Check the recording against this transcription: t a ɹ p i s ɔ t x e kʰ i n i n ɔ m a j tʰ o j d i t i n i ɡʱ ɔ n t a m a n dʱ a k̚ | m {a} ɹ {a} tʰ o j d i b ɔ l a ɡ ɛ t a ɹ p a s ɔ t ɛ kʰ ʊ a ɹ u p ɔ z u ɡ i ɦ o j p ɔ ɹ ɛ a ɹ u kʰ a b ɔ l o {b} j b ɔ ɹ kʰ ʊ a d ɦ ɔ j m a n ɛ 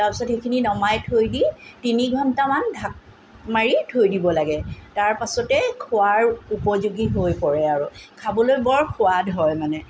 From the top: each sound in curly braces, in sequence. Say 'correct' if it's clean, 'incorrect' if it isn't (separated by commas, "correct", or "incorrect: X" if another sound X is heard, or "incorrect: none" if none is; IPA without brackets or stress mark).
correct, incorrect: i, incorrect: none